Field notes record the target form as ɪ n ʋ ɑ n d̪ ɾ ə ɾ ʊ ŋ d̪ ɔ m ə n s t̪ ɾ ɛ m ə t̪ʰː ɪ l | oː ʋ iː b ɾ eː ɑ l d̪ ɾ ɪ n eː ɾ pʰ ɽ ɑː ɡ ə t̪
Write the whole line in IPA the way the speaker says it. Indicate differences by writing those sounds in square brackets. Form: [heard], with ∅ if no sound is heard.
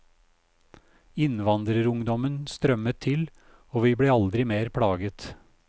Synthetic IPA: ɪ n ʋ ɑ n d̪ ɾ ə ɾ ʊ ŋ d̪ ɔ m ə n s t̪ ɾ [œ] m ə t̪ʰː ɪ l | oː ʋ iː b [ɽ] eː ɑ l d̪ ɾ ɪ [m] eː ɾ pʰ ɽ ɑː ɡ ə t̪